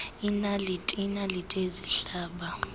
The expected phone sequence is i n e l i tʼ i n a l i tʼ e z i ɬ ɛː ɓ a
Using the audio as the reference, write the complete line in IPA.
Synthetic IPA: i n a l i tʼ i n a l i tʼ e z i ɬ aː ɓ a